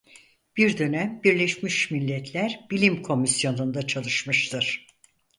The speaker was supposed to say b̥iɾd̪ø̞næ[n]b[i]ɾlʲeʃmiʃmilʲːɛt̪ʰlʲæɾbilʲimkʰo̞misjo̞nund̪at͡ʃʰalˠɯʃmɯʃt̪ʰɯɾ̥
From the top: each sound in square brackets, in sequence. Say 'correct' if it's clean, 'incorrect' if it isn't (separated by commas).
incorrect, correct